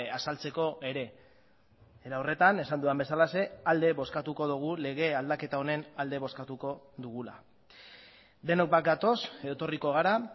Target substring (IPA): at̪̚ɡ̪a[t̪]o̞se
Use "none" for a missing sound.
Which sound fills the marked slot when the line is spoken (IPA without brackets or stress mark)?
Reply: t̪